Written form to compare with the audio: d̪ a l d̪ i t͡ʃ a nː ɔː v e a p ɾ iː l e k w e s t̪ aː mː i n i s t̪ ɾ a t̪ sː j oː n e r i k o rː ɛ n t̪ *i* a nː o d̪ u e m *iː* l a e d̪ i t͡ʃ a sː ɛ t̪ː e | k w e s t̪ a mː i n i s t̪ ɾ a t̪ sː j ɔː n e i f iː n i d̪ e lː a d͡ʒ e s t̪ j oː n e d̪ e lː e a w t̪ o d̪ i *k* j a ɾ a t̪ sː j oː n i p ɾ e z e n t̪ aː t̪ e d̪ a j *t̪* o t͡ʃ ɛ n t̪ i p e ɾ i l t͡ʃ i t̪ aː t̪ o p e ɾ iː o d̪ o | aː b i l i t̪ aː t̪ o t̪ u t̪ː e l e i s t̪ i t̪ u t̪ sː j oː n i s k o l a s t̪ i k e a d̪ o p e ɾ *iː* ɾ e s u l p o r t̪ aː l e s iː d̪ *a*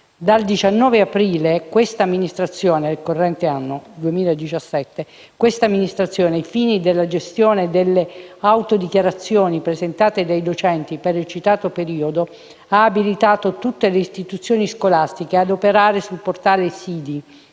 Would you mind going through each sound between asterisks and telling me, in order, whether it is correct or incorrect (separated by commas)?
incorrect, correct, correct, incorrect, incorrect, incorrect